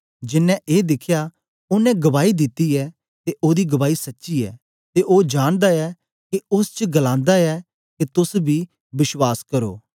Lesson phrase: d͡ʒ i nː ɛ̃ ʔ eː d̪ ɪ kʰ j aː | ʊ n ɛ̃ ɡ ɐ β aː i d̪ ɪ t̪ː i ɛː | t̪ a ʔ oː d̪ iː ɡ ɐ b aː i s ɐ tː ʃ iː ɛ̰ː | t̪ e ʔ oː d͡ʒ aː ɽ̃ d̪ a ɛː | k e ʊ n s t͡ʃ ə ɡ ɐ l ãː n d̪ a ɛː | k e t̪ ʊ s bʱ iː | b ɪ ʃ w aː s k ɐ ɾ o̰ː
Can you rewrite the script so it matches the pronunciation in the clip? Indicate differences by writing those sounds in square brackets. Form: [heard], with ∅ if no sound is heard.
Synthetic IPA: d͡ʒ [ɪ] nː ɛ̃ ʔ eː d̪ ɪ kʰ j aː | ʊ n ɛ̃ ɡ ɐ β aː i d̪ ɪ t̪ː i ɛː | t̪ [e] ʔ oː d̪ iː ɡ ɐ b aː i s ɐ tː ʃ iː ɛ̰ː | t̪ e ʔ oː d͡ʒ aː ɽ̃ d̪ a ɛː | k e ʊ [∅] s t͡ʃ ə ɡ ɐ l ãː n d̪ a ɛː | k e t̪ ʊ s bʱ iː | b ɪ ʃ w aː s k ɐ ɾ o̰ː

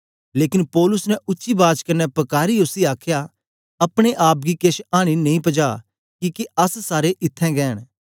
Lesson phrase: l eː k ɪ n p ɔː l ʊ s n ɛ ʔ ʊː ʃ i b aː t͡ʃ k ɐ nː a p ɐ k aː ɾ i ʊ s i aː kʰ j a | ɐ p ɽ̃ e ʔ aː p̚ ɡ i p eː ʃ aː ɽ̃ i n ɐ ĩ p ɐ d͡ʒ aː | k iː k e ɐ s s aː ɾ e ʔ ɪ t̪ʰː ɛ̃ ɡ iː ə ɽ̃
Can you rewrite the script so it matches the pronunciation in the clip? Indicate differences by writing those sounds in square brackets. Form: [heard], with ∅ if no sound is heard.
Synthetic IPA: l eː k ɪ n p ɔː l ʊ s n ɛ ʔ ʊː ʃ i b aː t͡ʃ k ɐ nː [ɛ] p ɐ k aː ɾ i ʊ s i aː kʰ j a | ɐ p ɽ̃ e ʔ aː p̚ ɡ i [k] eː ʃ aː ɽ̃ i n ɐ ĩ p ɐ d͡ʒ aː | k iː k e ɐ s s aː ɾ e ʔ ɪ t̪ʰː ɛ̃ ɡ [ɛː] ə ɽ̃

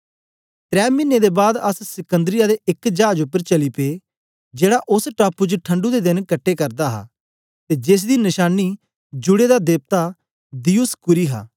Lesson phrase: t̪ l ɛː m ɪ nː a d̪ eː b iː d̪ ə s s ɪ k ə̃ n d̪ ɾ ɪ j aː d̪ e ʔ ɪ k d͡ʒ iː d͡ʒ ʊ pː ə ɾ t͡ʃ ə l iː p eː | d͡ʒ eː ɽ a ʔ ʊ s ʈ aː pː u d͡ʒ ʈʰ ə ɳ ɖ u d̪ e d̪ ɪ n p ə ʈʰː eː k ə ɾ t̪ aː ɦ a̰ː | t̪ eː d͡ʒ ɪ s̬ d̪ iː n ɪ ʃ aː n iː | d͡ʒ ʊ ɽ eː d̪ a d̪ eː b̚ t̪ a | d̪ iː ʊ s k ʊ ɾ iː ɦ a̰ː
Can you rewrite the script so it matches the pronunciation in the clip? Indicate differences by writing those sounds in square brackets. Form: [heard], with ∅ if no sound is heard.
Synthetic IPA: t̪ [ɾ] ɛː m ɪ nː [e] d̪ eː b [aː] d̪ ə s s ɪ k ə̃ n d̪ ɾ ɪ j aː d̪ e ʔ ɪ k d͡ʒ [aː] d͡ʒ ʊ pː ə ɾ t͡ʃ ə l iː p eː | d͡ʒ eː ɽ a ʔ ʊ s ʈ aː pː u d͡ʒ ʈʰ ə ɳ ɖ u d̪ e d̪ ɪ n [k] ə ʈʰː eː k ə ɾ [d̪] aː ɦ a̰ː | t̪ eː d͡ʒ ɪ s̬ d̪ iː n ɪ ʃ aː n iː | d͡ʒ ʊ ɽ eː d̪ a d̪ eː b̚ t̪ a | d̪ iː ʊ s k ʊ ɾ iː ɦ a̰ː

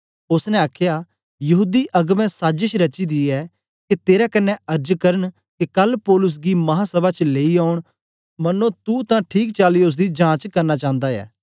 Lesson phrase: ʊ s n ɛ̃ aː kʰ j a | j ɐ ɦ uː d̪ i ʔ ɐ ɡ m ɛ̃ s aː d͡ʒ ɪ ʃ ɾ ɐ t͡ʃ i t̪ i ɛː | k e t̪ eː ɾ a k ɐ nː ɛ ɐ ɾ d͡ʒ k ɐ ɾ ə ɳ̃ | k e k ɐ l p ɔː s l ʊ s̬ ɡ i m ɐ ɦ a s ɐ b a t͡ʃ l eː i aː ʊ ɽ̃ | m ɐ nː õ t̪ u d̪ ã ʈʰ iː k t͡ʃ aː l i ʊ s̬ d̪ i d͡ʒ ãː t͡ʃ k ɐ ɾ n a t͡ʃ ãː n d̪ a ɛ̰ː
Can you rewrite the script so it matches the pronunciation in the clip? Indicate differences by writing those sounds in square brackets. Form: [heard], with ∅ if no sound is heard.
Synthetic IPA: ʊ s n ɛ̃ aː kʰ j a | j ɐ ɦ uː d̪ i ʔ ɐ ɡ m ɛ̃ s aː d͡ʒ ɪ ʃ ɾ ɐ t͡ʃ i [d̪] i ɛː | k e t̪ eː ɾ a k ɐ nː ɛ ɐ ɾ d͡ʒ k ɐ ɾ ə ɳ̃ | k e k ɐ l p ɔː [∅] l ʊ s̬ ɡ i m ɐ ɦ a s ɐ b a t͡ʃ l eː i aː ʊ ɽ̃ | m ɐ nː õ t̪ u [t̪] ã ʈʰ iː k t͡ʃ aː l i ʊ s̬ d̪ i d͡ʒ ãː t͡ʃ k ɐ ɾ n a t͡ʃ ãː n d̪ a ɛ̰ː

